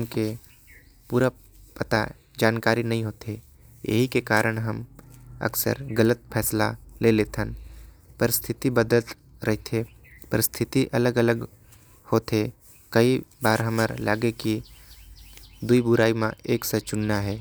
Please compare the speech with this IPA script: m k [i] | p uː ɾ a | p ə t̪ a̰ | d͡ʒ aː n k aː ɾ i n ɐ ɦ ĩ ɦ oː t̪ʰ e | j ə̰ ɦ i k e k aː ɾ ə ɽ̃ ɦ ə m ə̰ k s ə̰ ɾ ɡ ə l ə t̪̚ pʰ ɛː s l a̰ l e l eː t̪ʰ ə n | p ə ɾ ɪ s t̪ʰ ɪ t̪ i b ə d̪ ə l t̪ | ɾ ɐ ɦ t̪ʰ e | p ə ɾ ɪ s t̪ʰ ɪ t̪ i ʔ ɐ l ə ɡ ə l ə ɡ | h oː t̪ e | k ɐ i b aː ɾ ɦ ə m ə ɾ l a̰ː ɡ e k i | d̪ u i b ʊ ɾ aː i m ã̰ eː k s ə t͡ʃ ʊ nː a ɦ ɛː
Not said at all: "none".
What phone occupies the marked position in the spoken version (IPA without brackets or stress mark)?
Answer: e